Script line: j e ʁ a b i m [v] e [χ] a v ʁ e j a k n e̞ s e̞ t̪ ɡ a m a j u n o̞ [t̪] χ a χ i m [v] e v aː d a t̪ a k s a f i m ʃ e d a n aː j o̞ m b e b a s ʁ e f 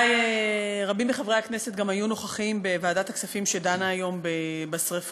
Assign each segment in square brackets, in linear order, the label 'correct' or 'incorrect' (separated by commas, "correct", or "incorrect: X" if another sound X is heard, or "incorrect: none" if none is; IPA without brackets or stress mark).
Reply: incorrect: b, correct, incorrect: none, incorrect: b